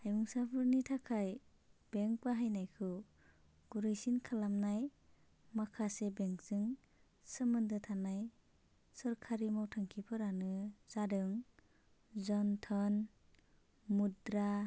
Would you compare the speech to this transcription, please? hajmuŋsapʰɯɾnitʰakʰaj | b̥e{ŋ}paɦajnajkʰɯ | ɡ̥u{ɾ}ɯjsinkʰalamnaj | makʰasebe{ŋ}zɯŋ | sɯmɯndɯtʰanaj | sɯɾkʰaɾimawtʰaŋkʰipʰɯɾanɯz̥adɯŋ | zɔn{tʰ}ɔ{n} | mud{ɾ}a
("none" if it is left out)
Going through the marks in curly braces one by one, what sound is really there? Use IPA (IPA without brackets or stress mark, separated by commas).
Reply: ŋ, ɾ, ŋ, tʰ, n, ɾ